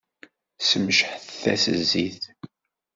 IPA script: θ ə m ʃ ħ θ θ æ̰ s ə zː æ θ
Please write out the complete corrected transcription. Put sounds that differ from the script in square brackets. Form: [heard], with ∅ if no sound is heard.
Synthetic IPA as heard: [s] ə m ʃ ħ θ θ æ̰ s ə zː [i] θ